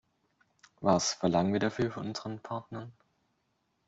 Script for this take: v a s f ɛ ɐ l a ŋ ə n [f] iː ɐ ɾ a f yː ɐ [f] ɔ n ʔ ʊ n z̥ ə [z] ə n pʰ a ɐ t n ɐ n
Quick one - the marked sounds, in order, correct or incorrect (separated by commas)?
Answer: incorrect, correct, incorrect